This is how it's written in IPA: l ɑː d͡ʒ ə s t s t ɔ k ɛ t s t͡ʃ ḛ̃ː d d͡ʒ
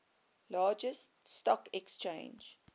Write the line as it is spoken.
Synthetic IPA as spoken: l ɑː d͡ʒ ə s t s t ɔ k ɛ k s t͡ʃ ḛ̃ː n d͡ʒ